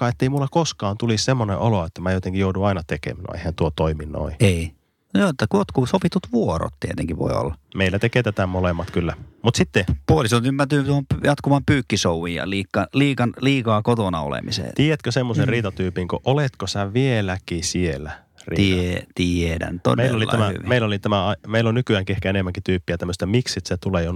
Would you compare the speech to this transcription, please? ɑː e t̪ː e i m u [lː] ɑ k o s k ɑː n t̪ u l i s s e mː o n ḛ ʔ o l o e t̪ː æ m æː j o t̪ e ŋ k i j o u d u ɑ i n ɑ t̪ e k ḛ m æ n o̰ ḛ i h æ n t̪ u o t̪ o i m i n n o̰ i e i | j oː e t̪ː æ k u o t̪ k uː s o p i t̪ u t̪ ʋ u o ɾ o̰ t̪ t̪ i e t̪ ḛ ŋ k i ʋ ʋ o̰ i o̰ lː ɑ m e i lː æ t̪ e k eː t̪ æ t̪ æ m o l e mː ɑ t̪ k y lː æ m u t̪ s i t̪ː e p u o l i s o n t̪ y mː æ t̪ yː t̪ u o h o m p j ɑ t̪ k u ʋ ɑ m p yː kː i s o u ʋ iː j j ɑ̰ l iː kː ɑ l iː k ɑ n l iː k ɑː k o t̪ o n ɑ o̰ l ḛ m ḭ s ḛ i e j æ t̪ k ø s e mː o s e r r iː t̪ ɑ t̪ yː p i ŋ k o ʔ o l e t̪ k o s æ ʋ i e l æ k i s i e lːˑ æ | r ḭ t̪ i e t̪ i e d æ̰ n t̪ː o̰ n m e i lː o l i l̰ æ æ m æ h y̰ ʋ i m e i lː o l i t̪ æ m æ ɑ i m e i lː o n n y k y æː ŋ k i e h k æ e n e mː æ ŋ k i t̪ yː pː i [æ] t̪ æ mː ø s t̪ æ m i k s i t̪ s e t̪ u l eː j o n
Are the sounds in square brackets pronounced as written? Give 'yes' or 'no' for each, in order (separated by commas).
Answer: yes, yes